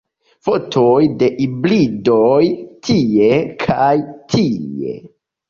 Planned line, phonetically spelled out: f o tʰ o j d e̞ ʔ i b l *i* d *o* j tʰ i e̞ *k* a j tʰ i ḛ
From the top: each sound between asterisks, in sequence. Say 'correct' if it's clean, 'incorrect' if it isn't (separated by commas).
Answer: correct, correct, incorrect